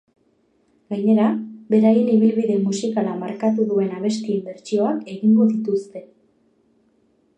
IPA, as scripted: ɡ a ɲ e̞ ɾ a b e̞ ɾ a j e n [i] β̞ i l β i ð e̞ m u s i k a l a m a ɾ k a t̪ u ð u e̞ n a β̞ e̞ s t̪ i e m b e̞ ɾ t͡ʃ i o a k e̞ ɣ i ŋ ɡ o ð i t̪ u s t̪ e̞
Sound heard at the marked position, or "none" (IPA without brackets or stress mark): i